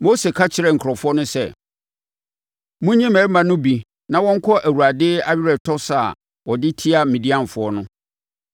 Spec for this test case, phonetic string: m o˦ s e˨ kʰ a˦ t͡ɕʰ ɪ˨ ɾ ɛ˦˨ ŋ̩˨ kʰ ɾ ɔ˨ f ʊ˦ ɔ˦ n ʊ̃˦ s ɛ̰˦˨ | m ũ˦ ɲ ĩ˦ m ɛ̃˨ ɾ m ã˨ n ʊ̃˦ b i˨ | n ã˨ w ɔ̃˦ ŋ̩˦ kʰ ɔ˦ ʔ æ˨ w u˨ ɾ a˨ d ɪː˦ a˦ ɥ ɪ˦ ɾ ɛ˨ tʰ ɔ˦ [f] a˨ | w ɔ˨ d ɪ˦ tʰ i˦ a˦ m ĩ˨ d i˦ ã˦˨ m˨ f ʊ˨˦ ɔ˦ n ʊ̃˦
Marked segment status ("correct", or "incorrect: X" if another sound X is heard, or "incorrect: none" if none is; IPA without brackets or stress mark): incorrect: s